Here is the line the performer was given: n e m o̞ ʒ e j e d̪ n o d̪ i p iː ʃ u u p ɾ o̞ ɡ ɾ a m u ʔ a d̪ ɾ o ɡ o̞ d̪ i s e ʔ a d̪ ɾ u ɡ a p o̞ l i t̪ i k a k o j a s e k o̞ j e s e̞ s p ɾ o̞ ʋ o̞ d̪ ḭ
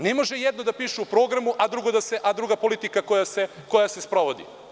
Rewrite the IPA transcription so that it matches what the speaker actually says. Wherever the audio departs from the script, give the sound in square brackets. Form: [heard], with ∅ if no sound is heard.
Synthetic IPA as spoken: n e m o̞ ʒ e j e d̪ n o d̪ [a] p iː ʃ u u p ɾ o̞ ɡ ɾ a m u ʔ a d̪ ɾ [u] ɡ o̞ d̪ [a] s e ʔ a d̪ ɾ u ɡ a p o̞ l i t̪ i k a k o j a s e k o̞ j [a] s e̞ s p ɾ o̞ ʋ o̞ d̪ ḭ